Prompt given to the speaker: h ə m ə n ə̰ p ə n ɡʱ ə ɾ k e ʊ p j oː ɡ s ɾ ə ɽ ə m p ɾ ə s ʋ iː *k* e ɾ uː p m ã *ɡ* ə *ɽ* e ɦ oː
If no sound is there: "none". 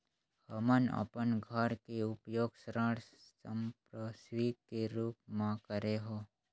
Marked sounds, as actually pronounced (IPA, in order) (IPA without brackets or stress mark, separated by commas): k, k, ɾ